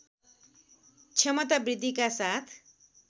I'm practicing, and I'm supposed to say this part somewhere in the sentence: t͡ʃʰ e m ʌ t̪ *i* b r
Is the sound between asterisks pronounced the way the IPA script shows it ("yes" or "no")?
no